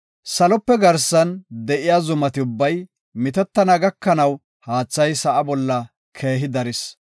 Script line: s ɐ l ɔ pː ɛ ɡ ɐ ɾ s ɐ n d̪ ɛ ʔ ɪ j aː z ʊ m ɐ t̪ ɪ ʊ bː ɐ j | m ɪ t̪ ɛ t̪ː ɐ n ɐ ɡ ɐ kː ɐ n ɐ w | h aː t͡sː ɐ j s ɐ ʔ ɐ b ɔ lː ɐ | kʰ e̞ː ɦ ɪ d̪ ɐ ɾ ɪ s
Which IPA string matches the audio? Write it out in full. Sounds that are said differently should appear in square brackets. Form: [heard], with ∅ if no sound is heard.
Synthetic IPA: s ɐ l ɔ pː ɛ ɡ ɐ ɾ s ɐ n d̪ ɛ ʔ ɪ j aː z ʊ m ɐ t̪ ɪ ʊ bː ɐ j | m ɪ t̪ ɛ t̪ː ɐ n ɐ ɡ ɐ kː ɐ n ɐ w | h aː t͡sː ɐ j s ɐ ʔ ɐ b ɔ lː ɐ | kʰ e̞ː ɦ ɪ d̪ ɐ ɾ ɪ s

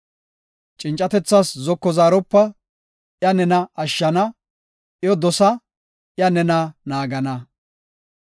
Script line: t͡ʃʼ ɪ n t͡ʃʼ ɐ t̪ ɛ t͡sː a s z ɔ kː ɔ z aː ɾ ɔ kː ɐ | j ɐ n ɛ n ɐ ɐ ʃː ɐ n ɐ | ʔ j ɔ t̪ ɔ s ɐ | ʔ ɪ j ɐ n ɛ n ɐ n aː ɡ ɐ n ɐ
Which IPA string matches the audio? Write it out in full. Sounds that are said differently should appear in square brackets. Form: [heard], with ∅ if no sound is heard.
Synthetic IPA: t͡ʃʼ ɪ n t͡ʃʼ ɐ t̪ ɛ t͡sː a s z ɔ kː ɔ z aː ɾ ɔ [pː] ɐ | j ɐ n ɛ n ɐ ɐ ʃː ɐ n ɐ | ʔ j ɔ [d̪] ɔ s ɐ | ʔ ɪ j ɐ n ɛ n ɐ n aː ɡ ɐ n ɐ

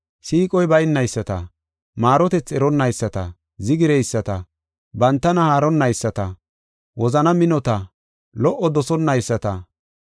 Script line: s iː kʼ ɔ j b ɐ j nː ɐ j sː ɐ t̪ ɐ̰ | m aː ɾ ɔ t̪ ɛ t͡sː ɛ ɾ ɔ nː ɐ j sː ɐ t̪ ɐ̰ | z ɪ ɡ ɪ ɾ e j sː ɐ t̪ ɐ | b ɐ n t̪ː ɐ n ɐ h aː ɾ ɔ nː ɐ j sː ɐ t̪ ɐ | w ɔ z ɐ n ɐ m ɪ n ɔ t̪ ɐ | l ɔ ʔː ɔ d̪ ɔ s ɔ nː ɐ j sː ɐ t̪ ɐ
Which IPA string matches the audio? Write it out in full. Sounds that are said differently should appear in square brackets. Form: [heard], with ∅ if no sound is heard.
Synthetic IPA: s iː kʼ ɔ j b ɐ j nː ɐ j sː ɐ t̪ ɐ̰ | m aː ɾ ɔ t̪ ɛ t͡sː ɛ ɾ ɔ nː ɐ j sː ɐ t̪ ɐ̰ | z ɪ ɡ ɪ ɾ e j sː ɐ t̪ ɐ | b ɐ n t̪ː ɐ n ɐ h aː ɾ ɔ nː ɐ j sː ɐ t̪ ɐ | w ɔ z ɐ n ɐ m ɪ n ɔ t̪ ɐ | l ɔ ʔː ɔ d̪ ɔ s ɔ nː ɐ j sː ɐ t̪ ɐ

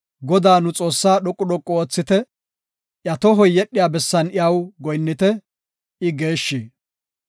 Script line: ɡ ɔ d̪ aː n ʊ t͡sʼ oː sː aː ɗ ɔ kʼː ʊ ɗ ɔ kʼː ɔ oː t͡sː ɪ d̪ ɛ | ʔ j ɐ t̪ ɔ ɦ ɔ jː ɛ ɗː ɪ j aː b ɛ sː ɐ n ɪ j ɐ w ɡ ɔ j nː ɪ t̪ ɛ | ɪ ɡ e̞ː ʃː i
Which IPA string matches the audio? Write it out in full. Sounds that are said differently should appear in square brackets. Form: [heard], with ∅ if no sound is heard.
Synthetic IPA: ɡ ɔ d̪ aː n ʊ t͡sʼ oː sː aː ɗ ɔ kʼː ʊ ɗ ɔ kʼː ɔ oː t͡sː ɪ [t̪] ɛ | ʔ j ɐ t̪ ɔ ɦ ɔ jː ɛ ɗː ɪ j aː b ɛ sː ɐ n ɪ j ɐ w ɡ ɔ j nː ɪ t̪ ɛ | ɪ ɡ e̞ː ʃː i

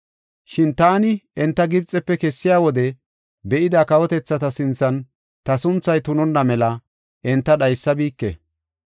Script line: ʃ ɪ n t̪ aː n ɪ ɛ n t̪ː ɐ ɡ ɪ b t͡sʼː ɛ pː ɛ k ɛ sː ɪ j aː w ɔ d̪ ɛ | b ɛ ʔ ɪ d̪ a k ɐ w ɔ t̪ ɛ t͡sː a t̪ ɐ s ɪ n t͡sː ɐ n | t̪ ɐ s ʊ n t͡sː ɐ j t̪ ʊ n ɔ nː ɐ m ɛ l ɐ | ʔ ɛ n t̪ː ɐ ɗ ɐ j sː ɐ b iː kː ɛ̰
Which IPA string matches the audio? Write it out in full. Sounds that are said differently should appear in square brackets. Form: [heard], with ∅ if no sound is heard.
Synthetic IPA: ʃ ɪ n t̪ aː n ɪ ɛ n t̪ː ɐ ɡ ɪ b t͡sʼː ɛ pː ɛ k ɛ sː ɪ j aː w ɔ d̪ ɛ | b ɛ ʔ ɪ d̪ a k ɐ w ɔ t̪ ɛ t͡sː [ɐ] t̪ ɐ s ɪ n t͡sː ɐ n | t̪ ɐ s ʊ n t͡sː ɐ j t̪ ʊ n ɔ nː ɐ m ɛ l ɐ | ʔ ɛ n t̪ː ɐ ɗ ɐ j sː ɐ b iː kː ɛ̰

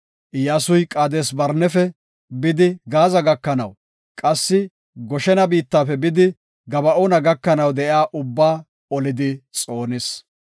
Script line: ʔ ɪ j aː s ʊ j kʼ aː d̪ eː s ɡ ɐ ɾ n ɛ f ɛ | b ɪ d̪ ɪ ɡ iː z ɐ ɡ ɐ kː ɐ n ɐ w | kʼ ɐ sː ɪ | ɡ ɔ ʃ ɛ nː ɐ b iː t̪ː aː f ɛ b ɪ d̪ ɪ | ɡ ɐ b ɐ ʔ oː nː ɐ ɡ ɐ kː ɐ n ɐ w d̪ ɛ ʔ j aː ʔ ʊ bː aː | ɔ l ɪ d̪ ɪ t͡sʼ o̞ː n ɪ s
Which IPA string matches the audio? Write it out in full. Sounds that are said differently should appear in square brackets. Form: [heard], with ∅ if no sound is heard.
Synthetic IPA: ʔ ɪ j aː s ʊ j kʼ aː d̪ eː s [b] ɐ ɾ n ɛ f ɛ | b ɪ d̪ ɪ ɡ [aː] z ɐ ɡ ɐ kː ɐ n ɐ w | kʼ ɐ sː ɪ | ɡ ɔ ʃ ɛ [n] ɐ b iː t̪ː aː f ɛ b ɪ d̪ ɪ | ɡ ɐ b ɐ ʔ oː [n] ɐ ɡ ɐ kː ɐ n ɐ w d̪ ɛ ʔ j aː ʔ ʊ bː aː | ɔ l ɪ d̪ ɪ t͡sʼ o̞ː n ɪ s

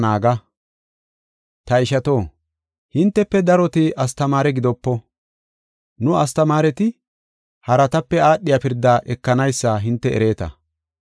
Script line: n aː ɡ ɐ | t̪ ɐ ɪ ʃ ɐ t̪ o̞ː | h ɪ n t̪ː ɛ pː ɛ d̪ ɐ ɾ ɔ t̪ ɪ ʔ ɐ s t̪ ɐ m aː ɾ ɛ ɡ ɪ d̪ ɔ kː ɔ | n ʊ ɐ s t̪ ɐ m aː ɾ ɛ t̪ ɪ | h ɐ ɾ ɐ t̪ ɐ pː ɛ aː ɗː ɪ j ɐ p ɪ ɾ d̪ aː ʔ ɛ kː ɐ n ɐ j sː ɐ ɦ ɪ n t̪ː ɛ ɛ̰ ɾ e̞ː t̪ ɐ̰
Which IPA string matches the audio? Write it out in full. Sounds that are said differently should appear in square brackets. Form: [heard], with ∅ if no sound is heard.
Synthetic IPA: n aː ɡ ɐ | t̪ ɐ ɪ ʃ ɐ t̪ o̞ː | h ɪ n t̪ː ɛ pː ɛ d̪ ɐ ɾ ɔ t̪ ɪ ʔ ɐ s t̪ ɐ m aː ɾ ɛ ɡ ɪ d̪ ɔ [pː] ɔ | n ʊ ɐ s t̪ ɐ m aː ɾ ɛ t̪ ɪ | h ɐ ɾ ɐ t̪ ɐ pː ɛ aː ɗː ɪ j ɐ p ɪ ɾ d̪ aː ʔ ɛ kː ɐ n ɐ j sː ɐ ɦ ɪ n t̪ː ɛ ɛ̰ ɾ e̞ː t̪ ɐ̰

